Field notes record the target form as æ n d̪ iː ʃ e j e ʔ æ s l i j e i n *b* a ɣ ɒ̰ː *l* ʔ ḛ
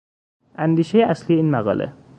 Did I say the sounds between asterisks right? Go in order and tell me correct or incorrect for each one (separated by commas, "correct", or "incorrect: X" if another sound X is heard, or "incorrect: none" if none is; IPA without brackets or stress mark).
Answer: incorrect: m, correct